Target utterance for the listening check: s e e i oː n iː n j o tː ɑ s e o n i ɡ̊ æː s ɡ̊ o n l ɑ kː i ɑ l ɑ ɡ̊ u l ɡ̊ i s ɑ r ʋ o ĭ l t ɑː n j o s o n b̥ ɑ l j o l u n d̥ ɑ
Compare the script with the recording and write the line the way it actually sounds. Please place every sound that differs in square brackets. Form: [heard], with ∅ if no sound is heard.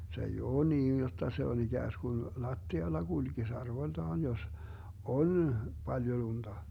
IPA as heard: s e e i oː n iː n j o tː ɑ s e o n i ɡ̊ æː s ɡ̊ [u] n l ɑ [tː] i ɑ [lː] ɑ ɡ̊ u l ɡ̊ i s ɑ r ʋ o ĭ l t ɑː n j o s o n b̥ ɑ l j o l u n d̥ ɑ